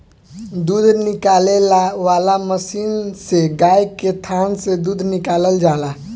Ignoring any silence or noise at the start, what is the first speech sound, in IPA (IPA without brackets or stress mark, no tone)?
d̪